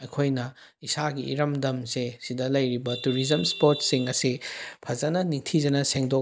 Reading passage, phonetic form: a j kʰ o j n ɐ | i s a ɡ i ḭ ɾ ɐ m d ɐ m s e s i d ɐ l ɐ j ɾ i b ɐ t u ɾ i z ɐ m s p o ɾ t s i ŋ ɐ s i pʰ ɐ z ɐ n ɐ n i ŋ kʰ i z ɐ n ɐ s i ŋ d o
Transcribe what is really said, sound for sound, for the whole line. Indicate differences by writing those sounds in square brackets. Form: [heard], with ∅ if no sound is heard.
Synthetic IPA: [ɐ] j kʰ o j n ɐ | i s a ɡ i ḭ ɾ ɐ m d ɐ m s e s i d ɐ l ɐ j ɾ i b ɐ t u ɾ i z ɐ m s p o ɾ t s i ŋ ɐ s i pʰ ɐ z ɐ n ɐ n i ŋ [tʰ] i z ɐ n ɐ s [e] ŋ d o